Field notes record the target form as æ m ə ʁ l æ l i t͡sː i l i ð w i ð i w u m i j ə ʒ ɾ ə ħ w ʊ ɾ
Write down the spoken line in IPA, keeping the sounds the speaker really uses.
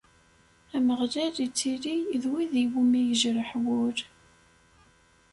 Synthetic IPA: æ m ə ʁ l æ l i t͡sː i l i ð w i ð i w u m i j ə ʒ ɾ ə ħ w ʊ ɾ